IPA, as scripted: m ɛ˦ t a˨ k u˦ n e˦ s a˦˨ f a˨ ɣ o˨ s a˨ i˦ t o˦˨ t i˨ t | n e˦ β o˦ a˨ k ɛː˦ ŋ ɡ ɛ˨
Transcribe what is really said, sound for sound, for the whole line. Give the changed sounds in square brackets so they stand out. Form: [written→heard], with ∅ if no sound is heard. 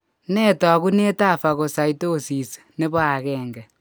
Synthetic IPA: [m→n] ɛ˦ t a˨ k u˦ n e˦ [s→t] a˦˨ f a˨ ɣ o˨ s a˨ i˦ t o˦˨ [t→s] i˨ [t→s] | n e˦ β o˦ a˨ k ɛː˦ ŋ ɡ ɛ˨